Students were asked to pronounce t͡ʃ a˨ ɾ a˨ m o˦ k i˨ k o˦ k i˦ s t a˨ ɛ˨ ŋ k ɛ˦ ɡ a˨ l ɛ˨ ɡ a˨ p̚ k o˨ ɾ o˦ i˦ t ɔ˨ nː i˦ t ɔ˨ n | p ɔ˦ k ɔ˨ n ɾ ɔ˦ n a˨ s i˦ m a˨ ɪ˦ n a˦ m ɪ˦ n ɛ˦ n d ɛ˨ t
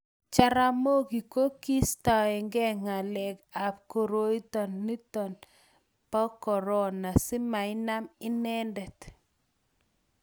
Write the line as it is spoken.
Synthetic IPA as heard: t͡ʃ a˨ ɾ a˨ m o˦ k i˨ k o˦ k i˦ s t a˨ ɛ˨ ŋ ɡ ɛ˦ ŋ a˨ l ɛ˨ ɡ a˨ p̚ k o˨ ɾ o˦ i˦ t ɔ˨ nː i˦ t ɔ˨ n | p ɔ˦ k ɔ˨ ɾ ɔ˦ n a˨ s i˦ m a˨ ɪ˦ n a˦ m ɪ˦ n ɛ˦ n d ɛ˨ t

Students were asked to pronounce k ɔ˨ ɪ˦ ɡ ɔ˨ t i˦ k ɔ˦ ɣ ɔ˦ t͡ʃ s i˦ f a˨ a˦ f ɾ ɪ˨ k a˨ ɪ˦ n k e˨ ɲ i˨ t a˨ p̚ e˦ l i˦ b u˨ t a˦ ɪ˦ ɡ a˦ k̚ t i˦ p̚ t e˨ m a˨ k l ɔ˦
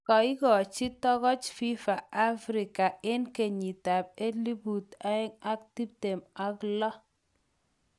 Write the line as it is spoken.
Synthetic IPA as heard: k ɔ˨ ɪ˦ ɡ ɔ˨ t͡ʃ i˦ t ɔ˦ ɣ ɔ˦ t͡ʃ f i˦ f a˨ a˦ f ɾ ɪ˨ k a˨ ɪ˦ n k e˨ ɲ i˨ t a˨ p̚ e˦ l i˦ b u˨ t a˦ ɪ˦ ŋ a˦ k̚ t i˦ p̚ t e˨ m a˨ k l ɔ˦

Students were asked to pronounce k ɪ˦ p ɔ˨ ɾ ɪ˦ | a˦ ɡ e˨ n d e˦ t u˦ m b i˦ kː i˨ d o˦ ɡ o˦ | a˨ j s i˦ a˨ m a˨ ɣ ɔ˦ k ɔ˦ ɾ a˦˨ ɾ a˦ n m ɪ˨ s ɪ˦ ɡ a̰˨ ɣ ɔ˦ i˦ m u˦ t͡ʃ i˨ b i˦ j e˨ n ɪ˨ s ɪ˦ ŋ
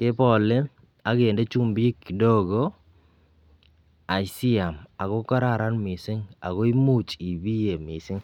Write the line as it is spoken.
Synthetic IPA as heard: k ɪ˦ p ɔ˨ l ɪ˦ | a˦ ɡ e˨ n d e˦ t͡ʃ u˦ m b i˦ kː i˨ d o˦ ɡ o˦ | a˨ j s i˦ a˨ m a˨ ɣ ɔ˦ k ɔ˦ ɾ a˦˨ ɾ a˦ n m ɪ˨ s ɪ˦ ŋ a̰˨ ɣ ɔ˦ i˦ m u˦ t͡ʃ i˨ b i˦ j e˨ m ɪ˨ s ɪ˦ ŋ

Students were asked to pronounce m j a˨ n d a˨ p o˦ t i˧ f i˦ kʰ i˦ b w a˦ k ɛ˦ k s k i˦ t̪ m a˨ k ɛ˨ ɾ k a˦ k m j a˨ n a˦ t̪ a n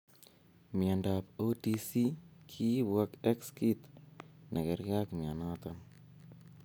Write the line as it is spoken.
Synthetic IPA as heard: m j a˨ n d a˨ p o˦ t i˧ s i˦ kʰ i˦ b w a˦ k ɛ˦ k s k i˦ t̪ n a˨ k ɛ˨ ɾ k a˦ k m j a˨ n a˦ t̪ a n

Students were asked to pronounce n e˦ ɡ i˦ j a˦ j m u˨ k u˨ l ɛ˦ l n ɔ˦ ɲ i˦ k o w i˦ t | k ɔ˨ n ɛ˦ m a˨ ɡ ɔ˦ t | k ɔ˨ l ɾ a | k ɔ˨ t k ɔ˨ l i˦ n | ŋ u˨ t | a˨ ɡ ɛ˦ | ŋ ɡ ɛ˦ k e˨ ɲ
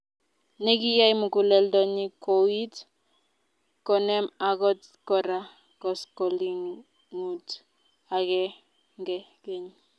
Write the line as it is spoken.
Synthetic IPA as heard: n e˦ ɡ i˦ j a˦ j m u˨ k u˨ l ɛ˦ l d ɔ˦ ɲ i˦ k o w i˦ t | k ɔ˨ n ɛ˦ m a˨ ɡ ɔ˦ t | k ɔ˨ ɾ a | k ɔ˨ s k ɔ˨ l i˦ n | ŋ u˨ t | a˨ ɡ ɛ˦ | ŋ ɡ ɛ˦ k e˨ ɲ

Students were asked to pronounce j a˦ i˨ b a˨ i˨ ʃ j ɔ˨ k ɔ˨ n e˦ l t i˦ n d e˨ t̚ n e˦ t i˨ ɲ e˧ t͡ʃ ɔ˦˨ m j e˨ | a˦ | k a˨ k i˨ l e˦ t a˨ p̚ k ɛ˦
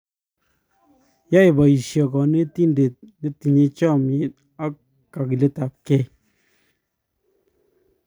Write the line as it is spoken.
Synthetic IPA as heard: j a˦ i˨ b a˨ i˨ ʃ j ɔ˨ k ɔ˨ n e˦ t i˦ n d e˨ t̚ n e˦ t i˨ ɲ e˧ t͡ʃ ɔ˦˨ m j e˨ | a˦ | k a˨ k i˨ l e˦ t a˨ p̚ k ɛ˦

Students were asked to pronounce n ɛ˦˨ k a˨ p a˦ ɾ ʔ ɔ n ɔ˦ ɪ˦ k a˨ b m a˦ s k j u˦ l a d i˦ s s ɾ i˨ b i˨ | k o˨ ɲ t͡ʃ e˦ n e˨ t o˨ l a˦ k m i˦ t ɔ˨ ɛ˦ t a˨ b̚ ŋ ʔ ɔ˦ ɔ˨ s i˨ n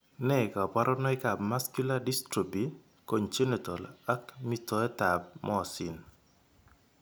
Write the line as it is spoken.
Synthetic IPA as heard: n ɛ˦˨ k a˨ p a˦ ɾ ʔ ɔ n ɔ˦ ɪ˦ k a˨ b m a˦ s k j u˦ l a d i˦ s t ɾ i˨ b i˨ | k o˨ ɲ t͡ʃ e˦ n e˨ t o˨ l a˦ k m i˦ t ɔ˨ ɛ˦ t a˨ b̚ m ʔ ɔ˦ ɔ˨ s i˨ n

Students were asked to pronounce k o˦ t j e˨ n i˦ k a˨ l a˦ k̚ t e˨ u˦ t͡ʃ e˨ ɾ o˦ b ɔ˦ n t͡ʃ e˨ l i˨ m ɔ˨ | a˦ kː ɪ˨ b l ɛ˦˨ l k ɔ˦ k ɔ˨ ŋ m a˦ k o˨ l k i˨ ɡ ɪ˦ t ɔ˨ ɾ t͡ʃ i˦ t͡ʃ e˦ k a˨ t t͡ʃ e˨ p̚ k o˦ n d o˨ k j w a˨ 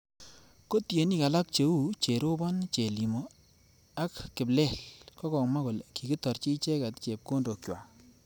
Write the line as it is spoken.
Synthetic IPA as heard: k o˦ t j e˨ n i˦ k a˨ l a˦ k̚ t͡ʃ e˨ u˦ t͡ʃ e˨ ɾ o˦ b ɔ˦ n t͡ʃ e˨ l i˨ m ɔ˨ | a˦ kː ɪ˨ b l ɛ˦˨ l k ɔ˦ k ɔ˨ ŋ m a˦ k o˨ l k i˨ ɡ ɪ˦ t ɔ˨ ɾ t͡ʃ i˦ t͡ʃ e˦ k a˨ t t͡ʃ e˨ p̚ k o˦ n d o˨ k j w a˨

